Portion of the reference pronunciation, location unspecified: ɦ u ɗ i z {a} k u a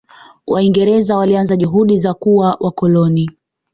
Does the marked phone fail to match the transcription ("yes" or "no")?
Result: no